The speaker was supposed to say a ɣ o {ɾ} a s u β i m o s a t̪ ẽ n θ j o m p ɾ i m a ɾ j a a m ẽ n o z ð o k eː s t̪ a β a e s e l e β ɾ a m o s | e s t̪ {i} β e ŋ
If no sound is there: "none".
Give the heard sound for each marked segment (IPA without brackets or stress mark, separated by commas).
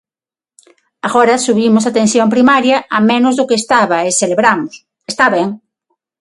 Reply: ɾ, a